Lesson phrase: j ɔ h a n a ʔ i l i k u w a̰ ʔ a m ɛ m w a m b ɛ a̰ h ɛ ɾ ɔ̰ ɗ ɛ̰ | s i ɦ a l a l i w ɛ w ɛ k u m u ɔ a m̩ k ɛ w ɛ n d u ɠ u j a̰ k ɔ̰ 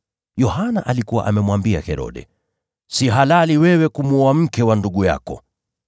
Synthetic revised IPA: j ɔ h a n a ʔ a l i k u w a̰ ʔ a m ɛ m w a m b i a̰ h ɛ ɾ ɔ̰ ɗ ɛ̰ | s i ɦ a l a l i w ɛ w ɛ k u m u ɔ a m̩ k ɛ w a n d u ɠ u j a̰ k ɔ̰